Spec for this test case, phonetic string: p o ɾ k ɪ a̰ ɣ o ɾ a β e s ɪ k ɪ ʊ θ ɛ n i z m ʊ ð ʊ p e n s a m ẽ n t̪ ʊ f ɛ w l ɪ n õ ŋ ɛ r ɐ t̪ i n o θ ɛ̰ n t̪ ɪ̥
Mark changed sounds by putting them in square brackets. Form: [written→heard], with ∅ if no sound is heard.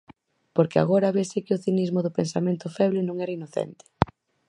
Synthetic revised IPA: p o ɾ k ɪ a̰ ɣ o ɾ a β e s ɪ k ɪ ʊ θ [ɛ→i] n i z m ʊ ð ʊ p e n s a m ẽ n t̪ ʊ f ɛ [w→β] l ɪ n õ ŋ ɛ [r→ɾ] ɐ [t̪→∅] i n o θ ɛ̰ n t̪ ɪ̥